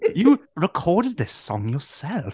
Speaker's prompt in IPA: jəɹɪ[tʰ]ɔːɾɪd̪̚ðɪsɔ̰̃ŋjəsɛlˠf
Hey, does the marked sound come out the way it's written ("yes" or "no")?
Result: no